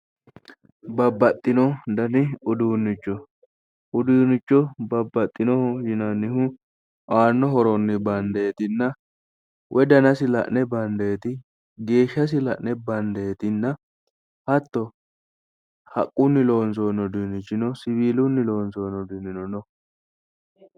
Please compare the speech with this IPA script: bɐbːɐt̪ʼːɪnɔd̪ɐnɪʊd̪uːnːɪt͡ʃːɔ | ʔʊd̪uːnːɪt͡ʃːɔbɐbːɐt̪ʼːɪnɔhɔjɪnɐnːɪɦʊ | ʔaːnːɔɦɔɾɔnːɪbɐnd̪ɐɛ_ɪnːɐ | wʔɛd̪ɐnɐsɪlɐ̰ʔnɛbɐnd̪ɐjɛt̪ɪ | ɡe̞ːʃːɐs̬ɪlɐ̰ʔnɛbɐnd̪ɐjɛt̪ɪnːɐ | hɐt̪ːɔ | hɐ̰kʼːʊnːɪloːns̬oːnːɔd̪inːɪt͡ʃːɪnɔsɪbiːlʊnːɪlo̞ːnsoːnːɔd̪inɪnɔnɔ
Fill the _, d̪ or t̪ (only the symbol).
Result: t̪